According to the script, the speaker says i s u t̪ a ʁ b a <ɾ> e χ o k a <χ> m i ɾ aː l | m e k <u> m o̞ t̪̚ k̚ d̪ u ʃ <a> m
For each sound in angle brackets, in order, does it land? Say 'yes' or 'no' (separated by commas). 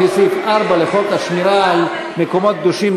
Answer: no, no, no, no